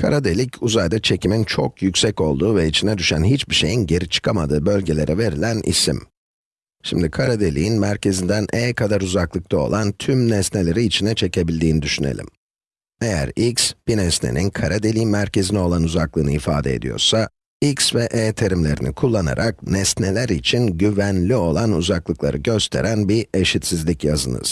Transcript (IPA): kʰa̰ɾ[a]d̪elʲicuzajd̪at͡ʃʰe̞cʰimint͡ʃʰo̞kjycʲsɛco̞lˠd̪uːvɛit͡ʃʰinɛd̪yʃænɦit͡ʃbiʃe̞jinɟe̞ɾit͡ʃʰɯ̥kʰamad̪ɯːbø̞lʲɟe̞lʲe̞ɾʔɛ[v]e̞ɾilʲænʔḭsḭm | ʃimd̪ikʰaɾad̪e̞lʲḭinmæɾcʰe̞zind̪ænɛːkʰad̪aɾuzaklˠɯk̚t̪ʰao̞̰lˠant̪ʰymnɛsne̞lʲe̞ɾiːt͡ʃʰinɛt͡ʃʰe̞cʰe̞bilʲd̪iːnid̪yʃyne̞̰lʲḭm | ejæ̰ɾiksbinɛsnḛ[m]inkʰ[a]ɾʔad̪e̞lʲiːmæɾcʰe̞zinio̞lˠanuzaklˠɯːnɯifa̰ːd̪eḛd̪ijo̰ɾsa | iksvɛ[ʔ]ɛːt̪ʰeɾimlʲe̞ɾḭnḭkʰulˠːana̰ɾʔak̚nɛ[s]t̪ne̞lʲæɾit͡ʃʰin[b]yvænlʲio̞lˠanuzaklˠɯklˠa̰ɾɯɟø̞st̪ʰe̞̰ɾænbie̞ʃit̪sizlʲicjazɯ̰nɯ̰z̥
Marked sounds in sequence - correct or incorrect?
correct, correct, incorrect, correct, correct, correct, incorrect

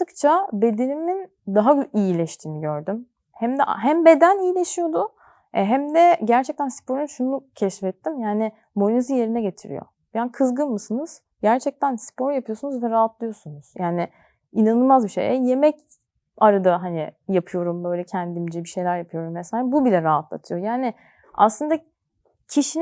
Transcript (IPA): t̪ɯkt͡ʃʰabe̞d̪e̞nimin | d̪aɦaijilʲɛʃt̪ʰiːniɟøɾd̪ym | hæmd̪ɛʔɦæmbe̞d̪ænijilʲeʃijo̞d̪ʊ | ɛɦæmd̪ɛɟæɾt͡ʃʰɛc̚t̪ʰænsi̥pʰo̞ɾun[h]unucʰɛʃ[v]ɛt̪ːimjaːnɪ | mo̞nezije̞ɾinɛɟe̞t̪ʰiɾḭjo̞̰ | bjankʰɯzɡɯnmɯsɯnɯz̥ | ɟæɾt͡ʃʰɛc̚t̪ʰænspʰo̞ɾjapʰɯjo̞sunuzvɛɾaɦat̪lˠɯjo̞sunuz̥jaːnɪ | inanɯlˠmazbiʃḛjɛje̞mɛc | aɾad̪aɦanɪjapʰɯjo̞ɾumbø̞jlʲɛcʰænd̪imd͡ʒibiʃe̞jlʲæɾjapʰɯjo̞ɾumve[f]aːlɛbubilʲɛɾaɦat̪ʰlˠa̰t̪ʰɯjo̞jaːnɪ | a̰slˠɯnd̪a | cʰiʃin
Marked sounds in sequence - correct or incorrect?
incorrect, incorrect, incorrect

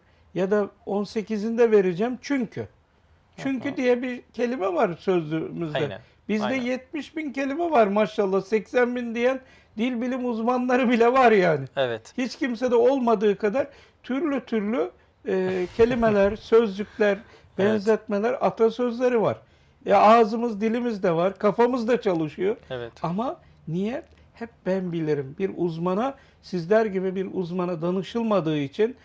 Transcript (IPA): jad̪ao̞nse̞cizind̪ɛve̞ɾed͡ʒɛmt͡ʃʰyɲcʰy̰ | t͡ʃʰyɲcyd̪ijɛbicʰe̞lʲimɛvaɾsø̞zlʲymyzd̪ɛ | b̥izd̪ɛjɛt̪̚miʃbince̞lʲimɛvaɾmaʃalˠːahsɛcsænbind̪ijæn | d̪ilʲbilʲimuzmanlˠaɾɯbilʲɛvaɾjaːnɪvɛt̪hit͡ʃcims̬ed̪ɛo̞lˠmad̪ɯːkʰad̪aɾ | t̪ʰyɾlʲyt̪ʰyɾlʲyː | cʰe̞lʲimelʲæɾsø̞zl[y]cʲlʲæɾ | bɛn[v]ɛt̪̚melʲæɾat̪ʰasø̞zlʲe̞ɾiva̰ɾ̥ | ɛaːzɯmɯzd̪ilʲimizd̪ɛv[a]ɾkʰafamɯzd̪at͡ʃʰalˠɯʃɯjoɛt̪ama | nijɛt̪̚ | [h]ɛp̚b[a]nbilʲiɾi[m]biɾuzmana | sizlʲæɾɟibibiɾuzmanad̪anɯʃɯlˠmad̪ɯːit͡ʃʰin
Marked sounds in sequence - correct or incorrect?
correct, incorrect, correct, correct, incorrect, correct

